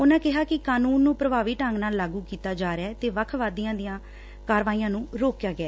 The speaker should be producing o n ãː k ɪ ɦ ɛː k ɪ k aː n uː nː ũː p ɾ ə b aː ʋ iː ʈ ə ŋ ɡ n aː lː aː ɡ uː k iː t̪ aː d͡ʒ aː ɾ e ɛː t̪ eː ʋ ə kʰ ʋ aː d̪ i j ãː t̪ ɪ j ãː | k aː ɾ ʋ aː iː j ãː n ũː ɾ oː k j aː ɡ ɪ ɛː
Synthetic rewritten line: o n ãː k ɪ ɦ aː k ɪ k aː n uː nː ũː p ɾ ə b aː ʋ iː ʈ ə ŋ ɡ n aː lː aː ɡ uː k iː t̪ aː d͡ʒ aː ɾ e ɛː t̪ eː ʋ ə kʰ ʋ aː d̪ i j ãː d̪ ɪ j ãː | k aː ɾ ʋ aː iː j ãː n ũː ɾ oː k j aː ɡ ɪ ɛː